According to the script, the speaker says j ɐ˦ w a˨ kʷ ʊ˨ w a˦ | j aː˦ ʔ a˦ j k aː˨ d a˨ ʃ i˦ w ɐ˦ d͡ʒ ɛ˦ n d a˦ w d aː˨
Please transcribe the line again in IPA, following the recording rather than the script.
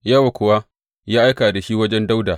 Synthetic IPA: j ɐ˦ w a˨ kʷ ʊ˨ w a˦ | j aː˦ ʔ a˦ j k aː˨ d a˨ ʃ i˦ w ɐ˦ d͡ʒ ɛ˦ n d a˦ w d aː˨